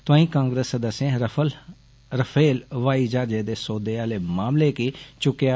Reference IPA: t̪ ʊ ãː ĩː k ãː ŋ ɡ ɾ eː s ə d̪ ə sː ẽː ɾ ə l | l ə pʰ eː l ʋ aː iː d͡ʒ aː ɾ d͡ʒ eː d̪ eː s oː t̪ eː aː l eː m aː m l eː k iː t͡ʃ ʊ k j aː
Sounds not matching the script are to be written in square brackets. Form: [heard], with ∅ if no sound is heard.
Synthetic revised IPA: t̪ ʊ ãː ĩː k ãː ŋ ɡ ɾ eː s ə d̪ ə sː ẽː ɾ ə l | [ɾ] ə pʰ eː l ʋ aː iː d͡ʒ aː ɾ d͡ʒ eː d̪ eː s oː [d̪] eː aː l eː m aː m l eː k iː t͡ʃ ʊ k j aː